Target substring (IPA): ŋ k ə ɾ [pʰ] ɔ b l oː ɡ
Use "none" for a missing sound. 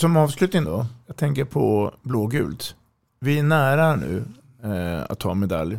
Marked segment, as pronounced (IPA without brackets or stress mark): pʰ